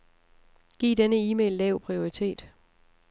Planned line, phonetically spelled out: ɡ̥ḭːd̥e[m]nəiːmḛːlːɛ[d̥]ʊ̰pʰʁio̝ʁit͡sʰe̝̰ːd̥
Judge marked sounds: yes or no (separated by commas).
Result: no, no